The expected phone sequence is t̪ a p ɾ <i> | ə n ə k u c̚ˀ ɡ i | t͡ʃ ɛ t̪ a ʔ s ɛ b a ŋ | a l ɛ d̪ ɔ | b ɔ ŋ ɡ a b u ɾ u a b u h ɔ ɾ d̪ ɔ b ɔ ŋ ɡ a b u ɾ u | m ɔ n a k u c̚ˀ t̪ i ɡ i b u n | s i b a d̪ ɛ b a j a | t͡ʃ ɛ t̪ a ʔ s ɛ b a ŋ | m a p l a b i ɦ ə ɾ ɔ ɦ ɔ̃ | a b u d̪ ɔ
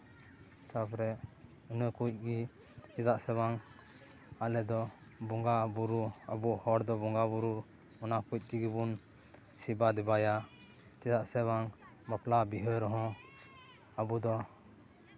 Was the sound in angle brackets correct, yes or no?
no